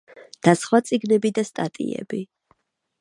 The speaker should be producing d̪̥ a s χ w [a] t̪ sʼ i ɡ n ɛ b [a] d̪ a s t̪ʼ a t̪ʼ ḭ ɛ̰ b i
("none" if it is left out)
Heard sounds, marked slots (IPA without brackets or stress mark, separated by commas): a, i